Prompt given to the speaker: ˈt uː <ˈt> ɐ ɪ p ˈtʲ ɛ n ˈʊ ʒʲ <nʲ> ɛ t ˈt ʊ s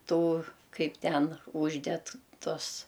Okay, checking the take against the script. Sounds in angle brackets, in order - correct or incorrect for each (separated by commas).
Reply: incorrect, incorrect